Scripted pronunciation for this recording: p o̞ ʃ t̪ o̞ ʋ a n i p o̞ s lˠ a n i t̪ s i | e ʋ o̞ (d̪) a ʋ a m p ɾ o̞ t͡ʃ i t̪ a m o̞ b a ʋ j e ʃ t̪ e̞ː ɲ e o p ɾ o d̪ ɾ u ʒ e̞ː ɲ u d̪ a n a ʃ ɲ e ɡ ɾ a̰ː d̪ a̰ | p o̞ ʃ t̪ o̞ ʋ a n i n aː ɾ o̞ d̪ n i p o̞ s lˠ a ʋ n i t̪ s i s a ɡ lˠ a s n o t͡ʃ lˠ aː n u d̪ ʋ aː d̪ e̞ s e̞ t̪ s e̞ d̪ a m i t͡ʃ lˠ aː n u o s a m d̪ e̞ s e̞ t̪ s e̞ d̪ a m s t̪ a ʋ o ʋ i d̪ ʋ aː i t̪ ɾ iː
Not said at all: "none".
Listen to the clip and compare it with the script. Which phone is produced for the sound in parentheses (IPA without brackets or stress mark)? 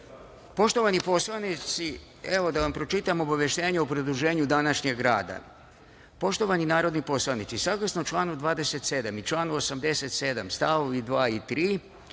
d̪